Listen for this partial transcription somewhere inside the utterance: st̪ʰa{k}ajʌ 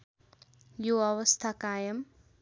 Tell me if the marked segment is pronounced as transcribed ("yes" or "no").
yes